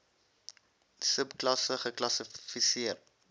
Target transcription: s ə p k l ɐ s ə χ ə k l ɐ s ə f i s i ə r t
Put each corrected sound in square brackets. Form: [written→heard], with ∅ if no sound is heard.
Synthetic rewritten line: s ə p k l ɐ s ə χ ə k l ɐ s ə f i s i ə r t